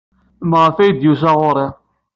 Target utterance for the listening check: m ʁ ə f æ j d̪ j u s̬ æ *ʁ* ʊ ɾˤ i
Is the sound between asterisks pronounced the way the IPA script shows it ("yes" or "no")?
yes